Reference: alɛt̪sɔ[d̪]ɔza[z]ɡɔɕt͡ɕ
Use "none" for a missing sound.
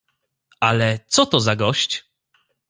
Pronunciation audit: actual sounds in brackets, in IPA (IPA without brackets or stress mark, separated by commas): t̪, none